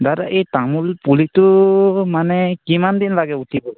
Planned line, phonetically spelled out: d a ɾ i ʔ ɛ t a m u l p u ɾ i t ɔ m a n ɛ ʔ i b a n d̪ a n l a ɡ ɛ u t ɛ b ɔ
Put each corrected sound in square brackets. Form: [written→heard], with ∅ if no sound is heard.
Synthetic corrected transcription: d a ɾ [i→a] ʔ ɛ t a m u l p u [ɾ→l] i t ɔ m a n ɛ [ʔ→k] i [b→m] a n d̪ [a→i] n l a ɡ ɛ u t [ɛ→i] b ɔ